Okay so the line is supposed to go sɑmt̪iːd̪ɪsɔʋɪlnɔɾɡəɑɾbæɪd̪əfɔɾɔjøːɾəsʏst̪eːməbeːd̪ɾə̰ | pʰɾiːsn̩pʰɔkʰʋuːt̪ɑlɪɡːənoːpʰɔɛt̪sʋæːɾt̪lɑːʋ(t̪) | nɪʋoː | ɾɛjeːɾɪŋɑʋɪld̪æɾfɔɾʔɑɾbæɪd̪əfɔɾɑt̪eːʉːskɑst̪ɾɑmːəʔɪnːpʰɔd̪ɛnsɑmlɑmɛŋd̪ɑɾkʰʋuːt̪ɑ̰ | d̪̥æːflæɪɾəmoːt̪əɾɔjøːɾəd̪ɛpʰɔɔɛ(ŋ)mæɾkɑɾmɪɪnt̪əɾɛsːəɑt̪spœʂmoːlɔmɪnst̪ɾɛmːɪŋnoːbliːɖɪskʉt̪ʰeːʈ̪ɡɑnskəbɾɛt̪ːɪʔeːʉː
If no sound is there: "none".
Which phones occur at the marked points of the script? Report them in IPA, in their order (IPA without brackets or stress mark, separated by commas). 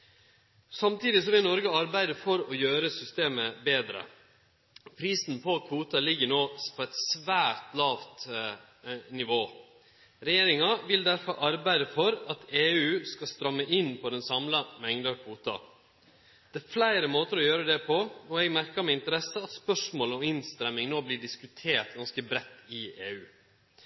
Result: t̪, ɡ